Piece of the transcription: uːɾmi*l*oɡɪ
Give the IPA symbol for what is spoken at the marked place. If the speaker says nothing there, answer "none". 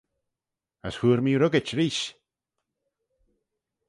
ɾ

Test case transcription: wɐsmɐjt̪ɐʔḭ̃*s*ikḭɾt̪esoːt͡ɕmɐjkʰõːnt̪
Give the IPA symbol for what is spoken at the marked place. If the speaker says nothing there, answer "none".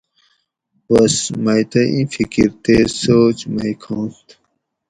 f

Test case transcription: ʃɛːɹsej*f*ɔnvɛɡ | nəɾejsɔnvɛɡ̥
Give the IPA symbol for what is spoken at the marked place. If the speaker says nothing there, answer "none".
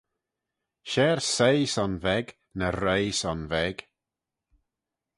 s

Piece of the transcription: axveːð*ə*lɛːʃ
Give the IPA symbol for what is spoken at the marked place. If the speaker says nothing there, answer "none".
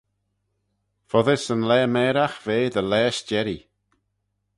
ə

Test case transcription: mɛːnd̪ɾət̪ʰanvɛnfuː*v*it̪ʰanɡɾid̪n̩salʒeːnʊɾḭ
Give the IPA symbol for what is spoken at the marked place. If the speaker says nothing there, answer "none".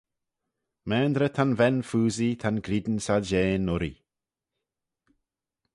z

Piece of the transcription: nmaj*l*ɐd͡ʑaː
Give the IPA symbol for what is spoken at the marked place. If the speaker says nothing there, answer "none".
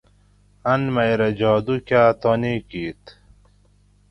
ɾ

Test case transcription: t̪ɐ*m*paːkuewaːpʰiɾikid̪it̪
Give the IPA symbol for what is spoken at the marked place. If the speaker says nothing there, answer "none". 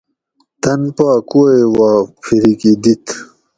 n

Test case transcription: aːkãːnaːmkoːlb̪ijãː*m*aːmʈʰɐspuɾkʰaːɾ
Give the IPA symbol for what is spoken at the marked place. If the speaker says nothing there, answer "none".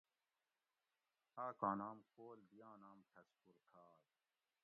n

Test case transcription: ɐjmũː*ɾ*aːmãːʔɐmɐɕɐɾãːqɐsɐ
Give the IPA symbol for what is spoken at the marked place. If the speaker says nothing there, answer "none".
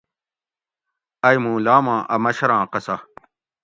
l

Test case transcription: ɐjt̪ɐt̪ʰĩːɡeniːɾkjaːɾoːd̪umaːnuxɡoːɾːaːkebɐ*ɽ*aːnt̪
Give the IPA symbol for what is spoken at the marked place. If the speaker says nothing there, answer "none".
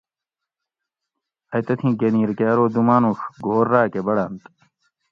ɽ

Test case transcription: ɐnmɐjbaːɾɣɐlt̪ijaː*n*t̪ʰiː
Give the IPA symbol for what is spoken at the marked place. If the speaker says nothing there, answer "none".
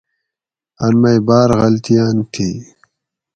n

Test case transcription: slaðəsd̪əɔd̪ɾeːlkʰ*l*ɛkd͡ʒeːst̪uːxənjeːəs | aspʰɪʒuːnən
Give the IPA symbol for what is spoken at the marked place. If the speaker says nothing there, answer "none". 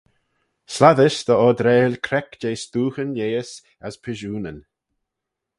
ɾ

